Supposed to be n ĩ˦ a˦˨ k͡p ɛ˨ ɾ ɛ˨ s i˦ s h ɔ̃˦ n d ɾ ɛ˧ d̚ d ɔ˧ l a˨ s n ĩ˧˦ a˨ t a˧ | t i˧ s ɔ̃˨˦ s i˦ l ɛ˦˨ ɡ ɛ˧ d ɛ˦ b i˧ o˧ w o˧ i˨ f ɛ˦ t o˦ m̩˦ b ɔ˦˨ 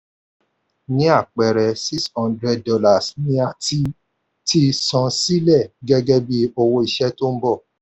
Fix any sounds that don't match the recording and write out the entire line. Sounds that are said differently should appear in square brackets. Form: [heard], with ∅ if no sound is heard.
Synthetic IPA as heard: n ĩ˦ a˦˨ k͡p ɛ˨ ɾ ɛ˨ s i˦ s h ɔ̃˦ n d ɾ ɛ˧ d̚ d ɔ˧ l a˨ s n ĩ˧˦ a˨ t [i˧] | t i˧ s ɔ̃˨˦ s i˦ l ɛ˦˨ ɡ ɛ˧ [ɡ] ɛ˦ b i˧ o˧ w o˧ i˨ [ʃ] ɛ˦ t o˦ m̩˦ b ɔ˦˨